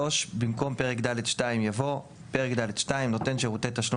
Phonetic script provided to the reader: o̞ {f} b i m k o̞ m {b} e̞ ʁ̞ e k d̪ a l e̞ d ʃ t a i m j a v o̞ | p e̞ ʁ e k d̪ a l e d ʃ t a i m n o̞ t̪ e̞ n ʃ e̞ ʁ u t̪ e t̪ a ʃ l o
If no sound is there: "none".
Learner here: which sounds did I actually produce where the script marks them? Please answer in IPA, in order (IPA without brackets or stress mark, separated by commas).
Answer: ʃ, p